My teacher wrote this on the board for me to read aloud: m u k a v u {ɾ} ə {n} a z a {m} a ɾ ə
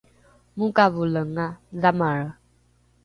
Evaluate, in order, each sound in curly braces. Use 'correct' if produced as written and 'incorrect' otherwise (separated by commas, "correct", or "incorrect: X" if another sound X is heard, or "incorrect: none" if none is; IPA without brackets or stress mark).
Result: incorrect: l, incorrect: ŋ, correct